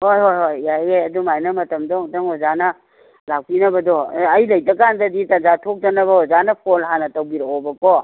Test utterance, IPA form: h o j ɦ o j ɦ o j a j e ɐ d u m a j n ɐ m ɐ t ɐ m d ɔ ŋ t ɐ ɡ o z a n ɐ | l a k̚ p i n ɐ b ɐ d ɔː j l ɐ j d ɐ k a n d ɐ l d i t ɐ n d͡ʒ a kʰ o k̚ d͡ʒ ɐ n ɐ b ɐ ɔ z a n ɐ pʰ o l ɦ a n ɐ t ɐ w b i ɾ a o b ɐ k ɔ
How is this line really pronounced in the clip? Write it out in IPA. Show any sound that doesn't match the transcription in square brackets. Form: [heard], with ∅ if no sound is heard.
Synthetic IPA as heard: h o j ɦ o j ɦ o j a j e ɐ d u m a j n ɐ m ɐ t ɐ m d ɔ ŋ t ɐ [ŋ] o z a n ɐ | l a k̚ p i n ɐ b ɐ d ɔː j l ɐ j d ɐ k a n d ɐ [∅] d i t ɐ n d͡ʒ a [tʰ] o k̚ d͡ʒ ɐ n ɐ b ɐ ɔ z a n ɐ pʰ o l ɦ a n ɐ t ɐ w b i ɾ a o b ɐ k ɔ